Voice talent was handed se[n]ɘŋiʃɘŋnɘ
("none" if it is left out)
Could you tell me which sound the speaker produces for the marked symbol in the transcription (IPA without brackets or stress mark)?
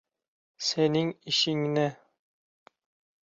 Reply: n